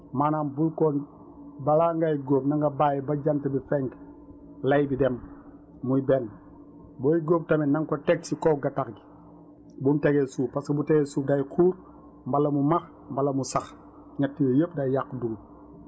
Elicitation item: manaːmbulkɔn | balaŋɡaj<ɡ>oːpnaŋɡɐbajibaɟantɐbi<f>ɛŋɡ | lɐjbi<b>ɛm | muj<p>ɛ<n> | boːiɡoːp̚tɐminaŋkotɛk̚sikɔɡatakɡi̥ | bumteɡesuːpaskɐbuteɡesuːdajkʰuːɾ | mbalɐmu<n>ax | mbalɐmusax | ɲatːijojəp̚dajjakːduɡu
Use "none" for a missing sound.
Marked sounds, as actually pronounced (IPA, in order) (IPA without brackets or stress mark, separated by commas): ɡ, f, d, b, n, m